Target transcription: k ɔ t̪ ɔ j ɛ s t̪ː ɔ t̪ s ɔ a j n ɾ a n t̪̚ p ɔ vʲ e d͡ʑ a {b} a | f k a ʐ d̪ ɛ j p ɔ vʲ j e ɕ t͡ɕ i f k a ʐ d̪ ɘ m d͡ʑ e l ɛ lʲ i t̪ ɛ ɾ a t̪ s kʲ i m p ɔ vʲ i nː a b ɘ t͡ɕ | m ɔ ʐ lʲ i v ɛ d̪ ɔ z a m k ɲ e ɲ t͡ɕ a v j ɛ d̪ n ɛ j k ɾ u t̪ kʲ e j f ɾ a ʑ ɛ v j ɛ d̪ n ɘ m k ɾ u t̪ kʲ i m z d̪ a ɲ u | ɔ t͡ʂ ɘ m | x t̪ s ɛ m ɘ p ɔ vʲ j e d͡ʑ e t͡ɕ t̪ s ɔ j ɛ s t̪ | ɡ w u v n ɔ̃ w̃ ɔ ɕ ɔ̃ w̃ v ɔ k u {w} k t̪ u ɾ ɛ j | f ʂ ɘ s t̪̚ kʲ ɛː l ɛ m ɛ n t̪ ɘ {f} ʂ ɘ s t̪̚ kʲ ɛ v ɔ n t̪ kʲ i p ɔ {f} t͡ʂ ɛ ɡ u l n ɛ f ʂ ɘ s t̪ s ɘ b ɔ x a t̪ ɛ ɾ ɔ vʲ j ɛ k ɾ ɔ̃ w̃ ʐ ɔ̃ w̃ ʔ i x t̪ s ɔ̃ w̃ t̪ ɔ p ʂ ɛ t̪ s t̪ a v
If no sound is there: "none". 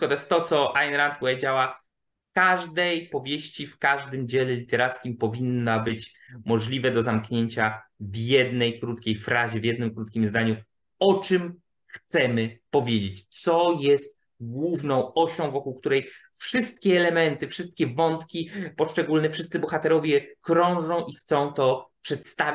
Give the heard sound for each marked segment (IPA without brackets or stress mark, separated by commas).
w, w, f, ʂ